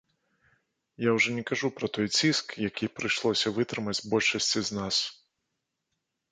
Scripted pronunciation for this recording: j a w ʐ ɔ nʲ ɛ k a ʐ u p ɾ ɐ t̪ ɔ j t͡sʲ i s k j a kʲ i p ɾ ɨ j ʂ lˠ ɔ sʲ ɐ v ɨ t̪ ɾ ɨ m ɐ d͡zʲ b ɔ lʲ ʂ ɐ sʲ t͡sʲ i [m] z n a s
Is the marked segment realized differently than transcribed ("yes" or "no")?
yes